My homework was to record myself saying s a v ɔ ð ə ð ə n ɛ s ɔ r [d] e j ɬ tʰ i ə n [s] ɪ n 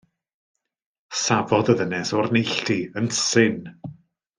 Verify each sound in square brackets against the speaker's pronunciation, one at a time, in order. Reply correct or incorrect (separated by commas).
incorrect, correct